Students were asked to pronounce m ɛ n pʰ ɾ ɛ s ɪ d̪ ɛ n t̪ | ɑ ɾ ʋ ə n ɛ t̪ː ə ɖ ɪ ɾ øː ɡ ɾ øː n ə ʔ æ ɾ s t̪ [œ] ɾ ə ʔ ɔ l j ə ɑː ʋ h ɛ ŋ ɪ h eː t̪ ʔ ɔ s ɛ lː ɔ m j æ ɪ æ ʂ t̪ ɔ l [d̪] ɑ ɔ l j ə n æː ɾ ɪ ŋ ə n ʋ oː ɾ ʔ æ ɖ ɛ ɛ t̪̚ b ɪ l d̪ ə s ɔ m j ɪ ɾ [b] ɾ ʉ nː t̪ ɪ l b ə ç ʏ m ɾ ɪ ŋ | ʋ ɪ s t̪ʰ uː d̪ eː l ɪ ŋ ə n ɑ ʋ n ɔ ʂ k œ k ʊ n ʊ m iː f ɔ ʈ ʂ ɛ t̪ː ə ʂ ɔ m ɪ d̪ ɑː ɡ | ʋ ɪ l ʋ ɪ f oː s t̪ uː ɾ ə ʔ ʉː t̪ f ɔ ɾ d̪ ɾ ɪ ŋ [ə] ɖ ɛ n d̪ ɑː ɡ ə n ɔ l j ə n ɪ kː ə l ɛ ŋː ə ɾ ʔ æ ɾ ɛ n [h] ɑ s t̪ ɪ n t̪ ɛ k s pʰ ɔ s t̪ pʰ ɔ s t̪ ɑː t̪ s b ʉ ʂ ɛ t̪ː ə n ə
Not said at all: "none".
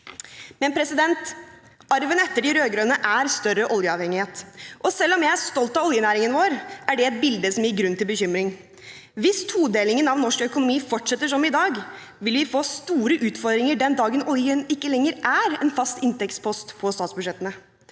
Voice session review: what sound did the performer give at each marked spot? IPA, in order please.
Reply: œ, t̪, ɡ, ə, f

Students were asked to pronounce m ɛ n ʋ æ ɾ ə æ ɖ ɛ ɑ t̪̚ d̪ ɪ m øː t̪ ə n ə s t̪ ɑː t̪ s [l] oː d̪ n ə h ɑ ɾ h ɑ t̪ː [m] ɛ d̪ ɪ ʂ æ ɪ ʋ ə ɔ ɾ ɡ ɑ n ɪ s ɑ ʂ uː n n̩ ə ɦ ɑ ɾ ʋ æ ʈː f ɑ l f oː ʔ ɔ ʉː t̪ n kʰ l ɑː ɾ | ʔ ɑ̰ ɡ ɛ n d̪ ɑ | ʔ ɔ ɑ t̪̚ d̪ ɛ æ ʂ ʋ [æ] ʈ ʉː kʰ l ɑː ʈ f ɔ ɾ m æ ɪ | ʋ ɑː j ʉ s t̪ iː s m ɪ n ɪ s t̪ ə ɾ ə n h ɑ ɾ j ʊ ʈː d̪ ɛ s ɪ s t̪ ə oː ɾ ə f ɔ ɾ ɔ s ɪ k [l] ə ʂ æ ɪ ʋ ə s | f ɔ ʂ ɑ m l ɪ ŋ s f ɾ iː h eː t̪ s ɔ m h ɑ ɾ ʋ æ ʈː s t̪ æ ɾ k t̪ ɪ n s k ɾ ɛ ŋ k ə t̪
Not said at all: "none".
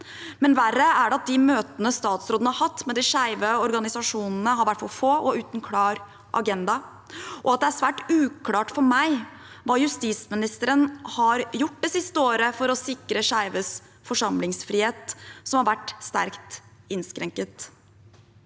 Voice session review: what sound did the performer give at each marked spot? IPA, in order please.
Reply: ɾ, m, æː, ɾ

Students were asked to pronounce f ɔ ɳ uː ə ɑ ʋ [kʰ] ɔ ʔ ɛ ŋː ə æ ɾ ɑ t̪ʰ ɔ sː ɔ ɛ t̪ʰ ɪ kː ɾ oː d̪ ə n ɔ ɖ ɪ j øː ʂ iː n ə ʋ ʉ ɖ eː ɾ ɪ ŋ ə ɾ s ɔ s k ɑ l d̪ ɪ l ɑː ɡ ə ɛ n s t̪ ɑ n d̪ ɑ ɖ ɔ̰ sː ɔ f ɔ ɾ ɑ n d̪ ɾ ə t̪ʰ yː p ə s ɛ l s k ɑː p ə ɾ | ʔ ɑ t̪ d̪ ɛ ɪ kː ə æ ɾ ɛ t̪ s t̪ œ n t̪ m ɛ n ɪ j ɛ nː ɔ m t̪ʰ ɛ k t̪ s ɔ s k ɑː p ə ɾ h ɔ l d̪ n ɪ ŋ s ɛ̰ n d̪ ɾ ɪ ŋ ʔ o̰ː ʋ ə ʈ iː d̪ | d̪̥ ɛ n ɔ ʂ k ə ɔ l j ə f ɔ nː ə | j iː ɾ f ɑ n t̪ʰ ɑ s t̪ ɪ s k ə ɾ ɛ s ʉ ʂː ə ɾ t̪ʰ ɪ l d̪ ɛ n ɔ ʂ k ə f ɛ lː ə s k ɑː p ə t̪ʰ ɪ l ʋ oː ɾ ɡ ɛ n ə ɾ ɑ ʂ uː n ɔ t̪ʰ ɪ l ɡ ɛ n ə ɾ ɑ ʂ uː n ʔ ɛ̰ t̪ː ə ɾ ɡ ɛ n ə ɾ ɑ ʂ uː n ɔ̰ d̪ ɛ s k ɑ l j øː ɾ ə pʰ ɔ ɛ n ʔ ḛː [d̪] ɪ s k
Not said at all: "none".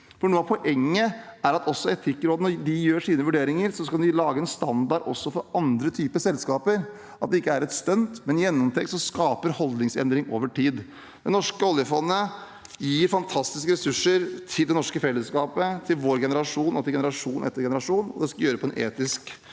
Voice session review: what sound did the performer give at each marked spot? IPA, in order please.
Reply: pʰ, t̪

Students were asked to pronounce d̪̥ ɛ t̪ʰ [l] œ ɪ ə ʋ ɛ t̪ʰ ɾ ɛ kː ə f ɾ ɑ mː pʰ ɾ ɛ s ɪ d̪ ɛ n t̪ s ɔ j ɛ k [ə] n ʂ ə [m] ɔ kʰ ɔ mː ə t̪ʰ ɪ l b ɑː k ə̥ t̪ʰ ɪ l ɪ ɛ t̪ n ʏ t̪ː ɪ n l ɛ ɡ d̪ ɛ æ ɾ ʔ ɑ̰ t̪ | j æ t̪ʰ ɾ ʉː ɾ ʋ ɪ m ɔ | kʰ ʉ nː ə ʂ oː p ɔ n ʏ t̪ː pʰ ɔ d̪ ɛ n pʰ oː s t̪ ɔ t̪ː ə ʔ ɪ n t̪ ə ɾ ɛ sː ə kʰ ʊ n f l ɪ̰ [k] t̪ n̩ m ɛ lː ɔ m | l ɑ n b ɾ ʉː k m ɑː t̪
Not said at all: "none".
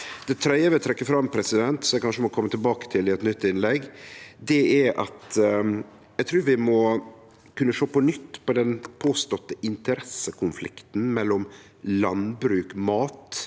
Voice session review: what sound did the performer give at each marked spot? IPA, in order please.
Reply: ɾ, ɑ, m, k

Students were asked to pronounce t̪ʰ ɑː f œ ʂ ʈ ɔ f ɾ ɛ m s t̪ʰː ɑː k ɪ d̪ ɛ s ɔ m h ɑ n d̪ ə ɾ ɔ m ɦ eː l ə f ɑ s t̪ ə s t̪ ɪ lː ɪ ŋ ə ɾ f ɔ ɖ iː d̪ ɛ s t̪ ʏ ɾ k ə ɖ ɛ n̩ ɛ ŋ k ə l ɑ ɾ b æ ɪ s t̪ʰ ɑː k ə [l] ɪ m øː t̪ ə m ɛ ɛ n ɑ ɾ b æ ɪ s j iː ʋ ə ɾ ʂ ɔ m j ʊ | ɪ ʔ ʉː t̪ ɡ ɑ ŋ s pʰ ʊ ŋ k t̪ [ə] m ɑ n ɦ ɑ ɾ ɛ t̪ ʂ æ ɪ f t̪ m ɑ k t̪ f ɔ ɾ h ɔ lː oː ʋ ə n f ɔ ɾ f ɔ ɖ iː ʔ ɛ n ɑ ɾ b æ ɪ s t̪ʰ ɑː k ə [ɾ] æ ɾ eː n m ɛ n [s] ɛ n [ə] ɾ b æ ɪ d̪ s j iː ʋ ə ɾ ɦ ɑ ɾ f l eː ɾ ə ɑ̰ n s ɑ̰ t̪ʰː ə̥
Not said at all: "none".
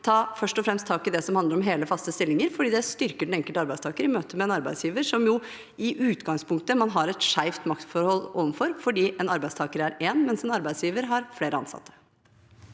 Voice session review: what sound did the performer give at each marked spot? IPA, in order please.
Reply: ɾ, ə, ɾ, s, ɑ

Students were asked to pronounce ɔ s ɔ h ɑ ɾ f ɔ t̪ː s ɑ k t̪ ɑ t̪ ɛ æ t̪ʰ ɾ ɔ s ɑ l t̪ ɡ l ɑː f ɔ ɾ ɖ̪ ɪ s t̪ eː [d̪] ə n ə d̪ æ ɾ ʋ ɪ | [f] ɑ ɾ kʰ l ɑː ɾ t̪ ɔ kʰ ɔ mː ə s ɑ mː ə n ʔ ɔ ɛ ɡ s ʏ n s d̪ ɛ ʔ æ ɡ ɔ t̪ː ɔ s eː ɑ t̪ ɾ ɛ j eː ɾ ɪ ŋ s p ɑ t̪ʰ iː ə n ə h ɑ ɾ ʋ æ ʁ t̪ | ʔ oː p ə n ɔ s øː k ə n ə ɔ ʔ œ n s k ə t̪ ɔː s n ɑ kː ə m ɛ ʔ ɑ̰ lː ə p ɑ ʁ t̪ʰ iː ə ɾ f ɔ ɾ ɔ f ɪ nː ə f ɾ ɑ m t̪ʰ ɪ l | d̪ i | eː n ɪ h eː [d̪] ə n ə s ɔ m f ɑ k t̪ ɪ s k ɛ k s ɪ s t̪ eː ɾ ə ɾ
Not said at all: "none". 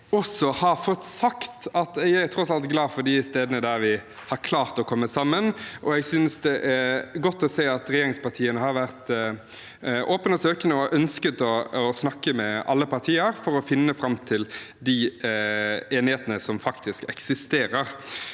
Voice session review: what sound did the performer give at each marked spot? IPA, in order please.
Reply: d̪, h, t̪

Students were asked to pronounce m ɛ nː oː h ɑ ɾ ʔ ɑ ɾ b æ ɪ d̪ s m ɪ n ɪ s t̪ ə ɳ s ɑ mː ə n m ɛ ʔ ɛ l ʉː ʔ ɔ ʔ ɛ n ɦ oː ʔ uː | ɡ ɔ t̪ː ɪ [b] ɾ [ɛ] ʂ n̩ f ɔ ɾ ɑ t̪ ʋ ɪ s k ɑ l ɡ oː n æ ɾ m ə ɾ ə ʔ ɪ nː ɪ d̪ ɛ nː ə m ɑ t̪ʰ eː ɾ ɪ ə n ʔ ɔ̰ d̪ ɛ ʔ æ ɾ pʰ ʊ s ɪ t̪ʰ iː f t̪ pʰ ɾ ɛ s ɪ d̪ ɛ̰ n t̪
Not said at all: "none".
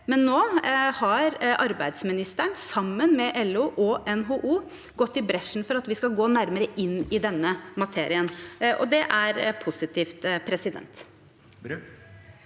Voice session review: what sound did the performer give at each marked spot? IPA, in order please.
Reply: b, ɛ

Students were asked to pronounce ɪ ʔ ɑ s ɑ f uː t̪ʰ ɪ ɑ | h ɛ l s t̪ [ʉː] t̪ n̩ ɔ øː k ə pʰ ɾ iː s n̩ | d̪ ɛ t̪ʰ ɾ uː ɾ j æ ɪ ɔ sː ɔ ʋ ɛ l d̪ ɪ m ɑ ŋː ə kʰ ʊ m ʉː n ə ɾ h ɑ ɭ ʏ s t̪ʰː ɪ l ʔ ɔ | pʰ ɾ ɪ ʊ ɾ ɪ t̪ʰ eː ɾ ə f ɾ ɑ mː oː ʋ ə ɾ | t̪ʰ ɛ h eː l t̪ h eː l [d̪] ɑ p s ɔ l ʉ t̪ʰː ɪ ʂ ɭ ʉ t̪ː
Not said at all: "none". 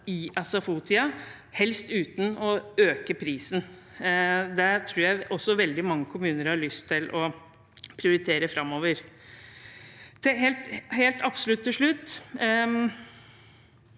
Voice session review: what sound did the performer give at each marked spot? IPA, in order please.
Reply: ʉː, t̪

